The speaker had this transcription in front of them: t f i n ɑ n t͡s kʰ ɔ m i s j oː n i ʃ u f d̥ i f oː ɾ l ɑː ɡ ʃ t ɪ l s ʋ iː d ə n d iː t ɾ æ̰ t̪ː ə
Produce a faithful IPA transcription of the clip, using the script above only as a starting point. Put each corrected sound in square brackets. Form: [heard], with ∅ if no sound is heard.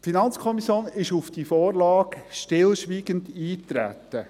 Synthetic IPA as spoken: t f i n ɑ n t͡s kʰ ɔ m i s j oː n [ɪ] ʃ u f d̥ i f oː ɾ l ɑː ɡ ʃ t ɪ l [ʃ] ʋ iː [ɡ] ə n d iː t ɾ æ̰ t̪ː ə